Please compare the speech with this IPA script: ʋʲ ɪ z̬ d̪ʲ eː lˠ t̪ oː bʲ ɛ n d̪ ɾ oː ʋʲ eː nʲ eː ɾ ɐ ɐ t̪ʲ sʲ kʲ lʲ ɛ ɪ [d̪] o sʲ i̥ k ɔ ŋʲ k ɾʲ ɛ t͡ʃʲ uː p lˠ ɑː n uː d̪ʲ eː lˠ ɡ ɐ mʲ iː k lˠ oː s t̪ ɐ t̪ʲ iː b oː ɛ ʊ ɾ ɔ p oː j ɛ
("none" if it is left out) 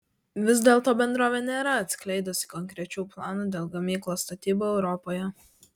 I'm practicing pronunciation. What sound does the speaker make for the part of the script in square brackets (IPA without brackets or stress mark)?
d̪